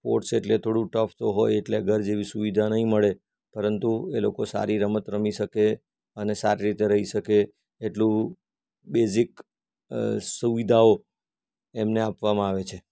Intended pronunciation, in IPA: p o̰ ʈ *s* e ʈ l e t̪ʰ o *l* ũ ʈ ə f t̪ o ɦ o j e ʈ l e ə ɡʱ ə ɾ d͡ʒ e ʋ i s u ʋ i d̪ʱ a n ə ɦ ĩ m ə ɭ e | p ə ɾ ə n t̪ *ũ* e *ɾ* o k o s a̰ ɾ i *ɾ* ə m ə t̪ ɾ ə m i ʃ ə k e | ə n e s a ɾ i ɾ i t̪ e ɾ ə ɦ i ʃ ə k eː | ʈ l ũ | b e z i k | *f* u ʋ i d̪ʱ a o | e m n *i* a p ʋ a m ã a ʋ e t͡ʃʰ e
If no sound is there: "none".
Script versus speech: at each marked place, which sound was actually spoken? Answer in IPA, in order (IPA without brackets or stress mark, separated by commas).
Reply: s, ɽ, u, l, ɾ, s, e